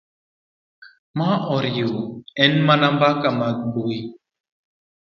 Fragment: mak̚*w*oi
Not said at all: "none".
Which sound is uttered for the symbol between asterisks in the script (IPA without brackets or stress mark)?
b